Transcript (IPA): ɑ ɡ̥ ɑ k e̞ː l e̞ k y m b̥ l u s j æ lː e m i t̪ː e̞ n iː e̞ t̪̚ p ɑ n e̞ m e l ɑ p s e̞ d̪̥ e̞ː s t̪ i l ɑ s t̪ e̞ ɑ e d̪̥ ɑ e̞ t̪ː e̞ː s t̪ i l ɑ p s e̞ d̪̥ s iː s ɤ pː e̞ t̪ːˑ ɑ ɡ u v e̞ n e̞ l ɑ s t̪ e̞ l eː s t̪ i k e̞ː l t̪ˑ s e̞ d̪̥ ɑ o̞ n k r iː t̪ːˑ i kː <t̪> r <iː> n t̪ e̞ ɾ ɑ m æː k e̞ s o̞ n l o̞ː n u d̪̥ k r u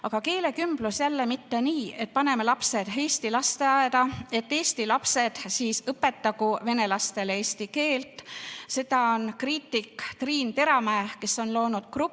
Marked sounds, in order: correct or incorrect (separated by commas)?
correct, correct